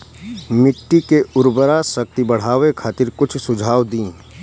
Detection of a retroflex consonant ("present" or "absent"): present